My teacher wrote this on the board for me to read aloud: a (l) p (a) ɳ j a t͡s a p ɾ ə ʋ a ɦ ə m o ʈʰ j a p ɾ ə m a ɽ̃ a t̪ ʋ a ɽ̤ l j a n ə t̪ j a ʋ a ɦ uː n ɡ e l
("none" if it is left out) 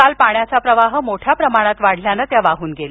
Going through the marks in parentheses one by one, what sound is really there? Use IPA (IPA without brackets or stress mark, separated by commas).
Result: l, a